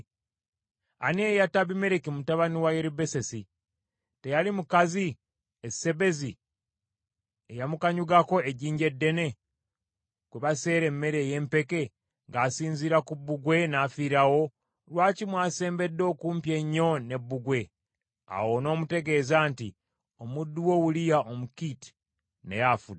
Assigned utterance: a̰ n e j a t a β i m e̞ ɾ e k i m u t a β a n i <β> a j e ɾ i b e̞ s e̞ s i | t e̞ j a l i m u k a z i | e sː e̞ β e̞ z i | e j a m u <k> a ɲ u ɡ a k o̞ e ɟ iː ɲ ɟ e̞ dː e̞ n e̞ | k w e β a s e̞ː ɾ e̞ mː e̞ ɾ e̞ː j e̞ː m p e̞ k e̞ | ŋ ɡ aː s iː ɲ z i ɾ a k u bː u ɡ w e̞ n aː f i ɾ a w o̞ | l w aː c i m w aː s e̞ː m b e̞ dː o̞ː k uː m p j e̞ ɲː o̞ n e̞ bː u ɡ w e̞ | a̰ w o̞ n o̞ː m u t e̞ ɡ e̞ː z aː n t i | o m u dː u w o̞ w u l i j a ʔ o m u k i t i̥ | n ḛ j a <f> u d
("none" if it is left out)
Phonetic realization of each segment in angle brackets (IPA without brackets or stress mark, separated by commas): w, k, f